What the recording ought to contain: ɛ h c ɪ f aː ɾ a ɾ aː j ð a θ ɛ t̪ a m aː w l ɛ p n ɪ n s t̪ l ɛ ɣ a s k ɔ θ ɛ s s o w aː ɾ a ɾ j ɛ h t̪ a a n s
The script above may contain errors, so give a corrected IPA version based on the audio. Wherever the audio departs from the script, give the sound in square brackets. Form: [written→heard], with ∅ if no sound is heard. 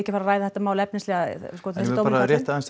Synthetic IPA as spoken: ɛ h c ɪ f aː ɾ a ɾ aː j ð a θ ɛ t̪ a m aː w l ɛ p n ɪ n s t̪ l ɛ ɣ a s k ɔ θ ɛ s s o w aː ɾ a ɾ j ɛ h t̪ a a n s